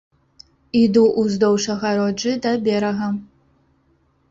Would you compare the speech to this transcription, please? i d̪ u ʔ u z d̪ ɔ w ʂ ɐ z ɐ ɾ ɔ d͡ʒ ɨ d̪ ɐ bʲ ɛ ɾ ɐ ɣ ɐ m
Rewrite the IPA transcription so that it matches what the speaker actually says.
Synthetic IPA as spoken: i d̪ u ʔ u z d̪ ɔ w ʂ ɐ ɣ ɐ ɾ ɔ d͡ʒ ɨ d̪ ɐ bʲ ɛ ɾ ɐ ɣ ɐ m

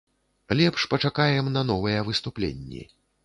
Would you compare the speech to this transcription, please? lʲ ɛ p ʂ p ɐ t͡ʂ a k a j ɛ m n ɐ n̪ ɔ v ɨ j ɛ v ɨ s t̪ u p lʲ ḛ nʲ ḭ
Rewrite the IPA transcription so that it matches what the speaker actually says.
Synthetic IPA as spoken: lʲ ɛ p ʂ p ɐ t͡ʂ a k a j ɛ m n ɐ n̪ ɔ v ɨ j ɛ v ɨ s t̪ u p lʲ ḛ nʲː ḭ

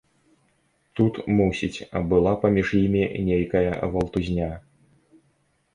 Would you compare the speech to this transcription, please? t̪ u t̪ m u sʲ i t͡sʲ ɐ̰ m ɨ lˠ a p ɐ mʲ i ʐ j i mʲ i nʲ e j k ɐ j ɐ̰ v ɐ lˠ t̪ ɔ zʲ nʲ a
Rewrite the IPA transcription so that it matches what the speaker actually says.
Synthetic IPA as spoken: t̪ u t̪ m u sʲ i t͡sʲ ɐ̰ b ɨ lˠ a p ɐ mʲ i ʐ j i mʲ i nʲ e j k ɐ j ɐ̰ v ɐ lˠ t̪ u zʲ nʲ a

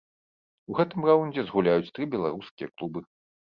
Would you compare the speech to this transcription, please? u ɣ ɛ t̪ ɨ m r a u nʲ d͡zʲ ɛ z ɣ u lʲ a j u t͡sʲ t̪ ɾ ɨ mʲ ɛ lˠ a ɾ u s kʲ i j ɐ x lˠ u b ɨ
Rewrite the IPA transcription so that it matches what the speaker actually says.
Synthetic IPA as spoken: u ɣ ɛ t̪ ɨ m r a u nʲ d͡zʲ ɛ z ɣ u lʲ a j u t͡sʲ t̪ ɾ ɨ bʲ ɛ lˠ a ɾ u s kʲ i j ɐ k lˠ u b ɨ

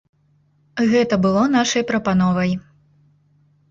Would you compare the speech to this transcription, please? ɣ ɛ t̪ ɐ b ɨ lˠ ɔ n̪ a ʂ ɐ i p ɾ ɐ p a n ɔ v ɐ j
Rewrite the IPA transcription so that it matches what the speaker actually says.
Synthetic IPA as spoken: ɣ ɛ t̪ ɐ b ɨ lˠ ɔ n̪ a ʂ ɐ j p ɾ ɐ p a n ɔ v ɐ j

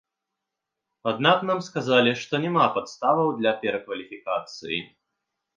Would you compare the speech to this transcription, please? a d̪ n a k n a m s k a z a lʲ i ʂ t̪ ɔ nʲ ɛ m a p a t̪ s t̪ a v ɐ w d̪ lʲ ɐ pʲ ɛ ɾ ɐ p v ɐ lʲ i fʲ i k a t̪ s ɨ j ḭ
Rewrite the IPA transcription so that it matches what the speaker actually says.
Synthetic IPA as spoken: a d̪ n a k n a m s k a z a lʲ i ʂ t̪ ɔ nʲ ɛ m a p a t̪ s t̪ a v ɐ w d̪ lʲ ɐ pʲ ɛ ɾ ɐ k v ɐ lʲ i fʲ i k a t̪ s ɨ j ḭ

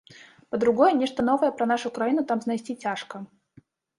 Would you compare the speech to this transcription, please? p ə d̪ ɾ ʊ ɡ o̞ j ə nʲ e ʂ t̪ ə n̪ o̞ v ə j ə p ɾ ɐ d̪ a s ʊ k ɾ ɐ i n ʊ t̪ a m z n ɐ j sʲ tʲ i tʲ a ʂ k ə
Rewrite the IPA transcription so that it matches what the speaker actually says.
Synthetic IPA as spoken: p ə d̪ ɾ ʊ ɡ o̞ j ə nʲ e ʂ t̪ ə n̪ o̞ v ə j ə p ɾ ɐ n̪ a ʂ ʊ k ɾ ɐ i n ʊ t̪ a m z n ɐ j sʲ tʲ i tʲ a ʂ k ə

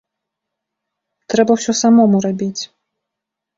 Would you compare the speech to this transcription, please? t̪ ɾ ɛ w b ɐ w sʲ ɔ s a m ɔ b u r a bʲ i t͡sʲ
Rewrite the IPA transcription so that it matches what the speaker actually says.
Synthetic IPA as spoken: t̪ ɾ ɛ b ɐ w sʲ ɔ s a m ɔ m u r a bʲ i t͡sʲ

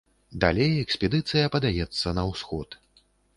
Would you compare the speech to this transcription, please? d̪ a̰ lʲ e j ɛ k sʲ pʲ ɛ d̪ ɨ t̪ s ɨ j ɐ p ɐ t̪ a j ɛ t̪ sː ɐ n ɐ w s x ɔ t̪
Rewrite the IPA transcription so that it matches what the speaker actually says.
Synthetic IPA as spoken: d̪ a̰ lʲ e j ɛ k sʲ pʲ ɛ d̪ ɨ t̪ s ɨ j ɐ p ɐ d̪ a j ɛ t̪ sː ɐ n ɐ w s x ɔ t̪

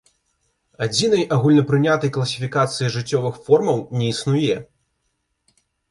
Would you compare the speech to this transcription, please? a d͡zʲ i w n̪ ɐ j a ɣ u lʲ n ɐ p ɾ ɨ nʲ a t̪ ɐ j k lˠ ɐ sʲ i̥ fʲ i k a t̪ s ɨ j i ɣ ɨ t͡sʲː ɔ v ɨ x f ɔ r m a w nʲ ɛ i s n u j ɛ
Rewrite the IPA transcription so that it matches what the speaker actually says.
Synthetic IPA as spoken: a d͡zʲ i n̪ ɐ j a ɣ u lʲ n ɐ p ɾ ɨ nʲ a t̪ ɐ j k lˠ ɐ sʲ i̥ fʲ i k a t̪ s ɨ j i ʐ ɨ t͡sʲː ɔ v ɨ x f ɔ r m ɐ w nʲ ɛ i s n u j ɛ

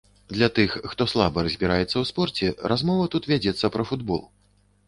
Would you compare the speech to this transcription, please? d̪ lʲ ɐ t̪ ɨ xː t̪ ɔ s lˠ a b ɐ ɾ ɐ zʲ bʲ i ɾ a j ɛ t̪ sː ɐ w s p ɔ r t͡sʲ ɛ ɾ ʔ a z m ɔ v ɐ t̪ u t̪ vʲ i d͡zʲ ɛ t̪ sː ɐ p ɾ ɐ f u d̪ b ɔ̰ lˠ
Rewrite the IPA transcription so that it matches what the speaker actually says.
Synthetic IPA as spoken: d̪ lʲ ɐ t̪ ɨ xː t̪ ɔ s lˠ a b ɐ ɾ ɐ zʲ bʲ i ɾ a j ɛ t̪ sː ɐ w s p ɔ r t͡sʲ ɛ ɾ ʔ a z m ɔ v ɐ t̪ u t̪ vʲ a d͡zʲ ɛ t̪ sː ɐ p ɾ ɐ f u d̪ b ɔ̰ lˠ

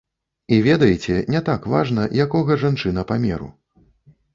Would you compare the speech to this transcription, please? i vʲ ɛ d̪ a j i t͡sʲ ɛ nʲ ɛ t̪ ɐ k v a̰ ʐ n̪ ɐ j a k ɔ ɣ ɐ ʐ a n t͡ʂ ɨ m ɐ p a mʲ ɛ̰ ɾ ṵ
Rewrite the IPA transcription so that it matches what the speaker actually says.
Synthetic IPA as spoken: i vʲ ɛ d̪ ɐ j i t͡sʲ ɛ nʲ ɛ t̪ a k v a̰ ʐ n̪ ɐ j a k ɔ ɣ ɐ ʐ a n t͡ʂ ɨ n ɐ p a mʲ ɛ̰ ɾ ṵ

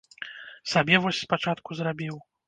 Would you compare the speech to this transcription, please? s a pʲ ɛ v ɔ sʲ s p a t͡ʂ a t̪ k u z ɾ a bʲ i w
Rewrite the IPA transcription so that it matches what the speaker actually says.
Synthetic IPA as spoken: s a bʲ ɛ v ɔ sʲ s p a t͡ʂ a t̪ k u z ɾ a bʲ i w

